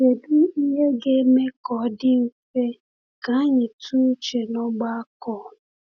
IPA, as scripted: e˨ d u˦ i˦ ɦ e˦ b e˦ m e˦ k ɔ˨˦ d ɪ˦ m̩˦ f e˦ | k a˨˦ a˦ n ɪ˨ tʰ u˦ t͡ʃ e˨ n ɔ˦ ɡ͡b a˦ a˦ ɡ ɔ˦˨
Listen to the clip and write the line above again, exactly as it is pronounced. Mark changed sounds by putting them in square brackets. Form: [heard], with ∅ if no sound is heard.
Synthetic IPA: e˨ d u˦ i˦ ɦ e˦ [ɡ] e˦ m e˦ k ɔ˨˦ d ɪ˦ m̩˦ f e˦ | k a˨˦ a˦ [ɲ] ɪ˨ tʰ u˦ t͡ʃ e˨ n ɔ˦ ɡ͡b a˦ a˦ [k] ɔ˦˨